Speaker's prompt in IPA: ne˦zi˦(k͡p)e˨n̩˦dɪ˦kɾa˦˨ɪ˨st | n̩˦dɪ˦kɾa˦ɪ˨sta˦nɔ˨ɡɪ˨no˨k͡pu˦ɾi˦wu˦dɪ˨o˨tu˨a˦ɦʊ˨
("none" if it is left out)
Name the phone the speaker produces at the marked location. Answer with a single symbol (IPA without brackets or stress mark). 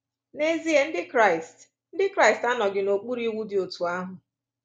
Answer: none